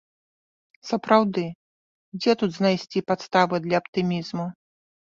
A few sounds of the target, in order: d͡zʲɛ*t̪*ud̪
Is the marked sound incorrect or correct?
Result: correct